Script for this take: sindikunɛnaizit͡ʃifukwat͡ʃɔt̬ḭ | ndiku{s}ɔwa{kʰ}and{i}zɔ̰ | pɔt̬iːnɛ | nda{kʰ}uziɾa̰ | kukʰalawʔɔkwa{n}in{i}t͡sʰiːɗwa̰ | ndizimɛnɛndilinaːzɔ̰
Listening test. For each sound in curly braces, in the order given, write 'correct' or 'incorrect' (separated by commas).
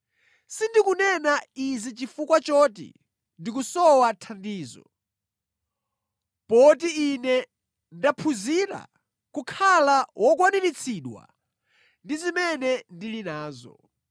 correct, incorrect, incorrect, incorrect, correct, correct